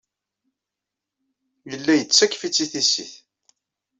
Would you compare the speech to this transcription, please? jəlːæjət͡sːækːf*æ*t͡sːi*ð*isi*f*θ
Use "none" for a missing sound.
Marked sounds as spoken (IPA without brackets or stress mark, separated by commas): i, θ, none